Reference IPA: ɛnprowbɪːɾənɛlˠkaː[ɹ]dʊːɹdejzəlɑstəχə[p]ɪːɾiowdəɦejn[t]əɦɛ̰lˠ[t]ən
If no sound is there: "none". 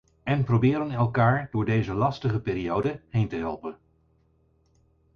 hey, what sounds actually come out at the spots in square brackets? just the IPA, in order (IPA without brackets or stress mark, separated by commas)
ɹ, p, t, p